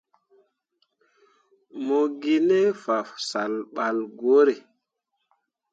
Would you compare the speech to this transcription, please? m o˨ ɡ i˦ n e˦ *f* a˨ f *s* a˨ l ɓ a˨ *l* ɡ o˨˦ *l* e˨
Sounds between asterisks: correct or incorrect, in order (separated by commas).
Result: correct, correct, correct, incorrect